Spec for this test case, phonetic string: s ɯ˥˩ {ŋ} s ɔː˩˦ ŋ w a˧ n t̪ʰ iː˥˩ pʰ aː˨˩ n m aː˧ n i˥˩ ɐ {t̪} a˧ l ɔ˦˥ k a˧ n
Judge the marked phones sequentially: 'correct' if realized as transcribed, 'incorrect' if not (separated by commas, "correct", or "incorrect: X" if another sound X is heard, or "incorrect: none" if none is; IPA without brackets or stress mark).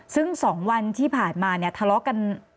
correct, incorrect: t̪ʰ